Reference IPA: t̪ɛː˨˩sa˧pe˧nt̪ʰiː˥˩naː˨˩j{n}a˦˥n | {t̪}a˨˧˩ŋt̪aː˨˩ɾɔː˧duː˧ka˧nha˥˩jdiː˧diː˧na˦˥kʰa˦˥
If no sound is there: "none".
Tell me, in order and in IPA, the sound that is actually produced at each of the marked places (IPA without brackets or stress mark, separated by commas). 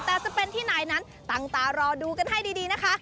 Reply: n, t̪